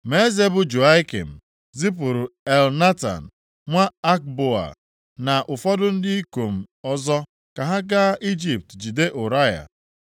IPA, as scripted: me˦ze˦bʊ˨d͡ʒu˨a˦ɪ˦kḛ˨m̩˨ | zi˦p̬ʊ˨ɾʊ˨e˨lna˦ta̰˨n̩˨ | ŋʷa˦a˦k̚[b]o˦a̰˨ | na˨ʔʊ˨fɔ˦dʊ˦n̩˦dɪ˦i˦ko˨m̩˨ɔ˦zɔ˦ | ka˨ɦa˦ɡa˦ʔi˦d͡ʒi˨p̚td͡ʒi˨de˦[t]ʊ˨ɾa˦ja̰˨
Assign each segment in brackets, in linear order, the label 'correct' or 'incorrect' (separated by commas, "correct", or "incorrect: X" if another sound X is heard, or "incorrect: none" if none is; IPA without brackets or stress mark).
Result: correct, incorrect: ʔ